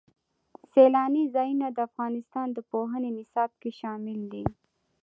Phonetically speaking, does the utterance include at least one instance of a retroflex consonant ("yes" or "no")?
no